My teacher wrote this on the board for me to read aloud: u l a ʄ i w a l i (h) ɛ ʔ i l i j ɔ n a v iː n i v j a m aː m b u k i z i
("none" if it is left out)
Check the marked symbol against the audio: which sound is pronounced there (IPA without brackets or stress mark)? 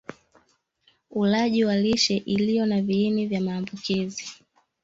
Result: ʃ